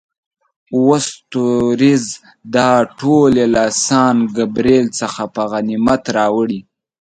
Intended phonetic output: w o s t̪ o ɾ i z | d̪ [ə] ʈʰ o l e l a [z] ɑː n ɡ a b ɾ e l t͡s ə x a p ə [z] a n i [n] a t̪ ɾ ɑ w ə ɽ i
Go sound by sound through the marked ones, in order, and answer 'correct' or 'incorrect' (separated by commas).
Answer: incorrect, incorrect, incorrect, incorrect